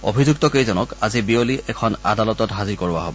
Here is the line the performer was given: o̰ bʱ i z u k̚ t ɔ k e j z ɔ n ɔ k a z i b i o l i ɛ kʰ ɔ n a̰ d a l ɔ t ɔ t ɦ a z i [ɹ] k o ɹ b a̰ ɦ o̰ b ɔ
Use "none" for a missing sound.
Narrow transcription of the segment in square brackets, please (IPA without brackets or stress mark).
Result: ɹ